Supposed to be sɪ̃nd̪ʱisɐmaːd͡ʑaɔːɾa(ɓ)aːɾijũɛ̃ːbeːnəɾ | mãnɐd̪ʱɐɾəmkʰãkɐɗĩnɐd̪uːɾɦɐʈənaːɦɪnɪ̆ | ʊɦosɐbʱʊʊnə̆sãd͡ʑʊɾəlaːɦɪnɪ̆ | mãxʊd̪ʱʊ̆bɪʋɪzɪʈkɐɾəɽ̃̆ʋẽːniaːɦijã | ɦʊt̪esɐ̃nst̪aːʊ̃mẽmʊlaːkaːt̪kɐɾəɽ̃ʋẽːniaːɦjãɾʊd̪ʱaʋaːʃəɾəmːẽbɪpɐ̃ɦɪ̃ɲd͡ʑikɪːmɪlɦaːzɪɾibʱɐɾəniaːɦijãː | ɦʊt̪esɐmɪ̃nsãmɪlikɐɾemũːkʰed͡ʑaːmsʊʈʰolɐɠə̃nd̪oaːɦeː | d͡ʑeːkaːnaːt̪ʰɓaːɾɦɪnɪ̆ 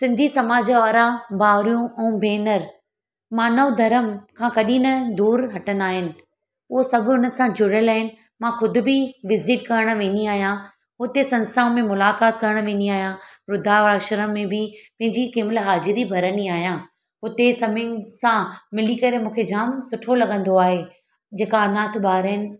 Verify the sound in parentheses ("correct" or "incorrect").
incorrect